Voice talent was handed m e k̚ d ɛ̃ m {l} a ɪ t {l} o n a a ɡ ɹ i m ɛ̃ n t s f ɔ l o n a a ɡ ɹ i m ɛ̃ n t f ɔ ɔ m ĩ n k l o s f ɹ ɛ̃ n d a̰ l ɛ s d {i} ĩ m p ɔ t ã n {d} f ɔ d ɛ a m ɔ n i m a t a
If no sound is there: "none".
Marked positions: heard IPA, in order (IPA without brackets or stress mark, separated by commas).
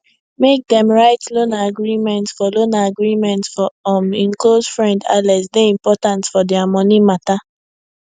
ɹ, l, e, t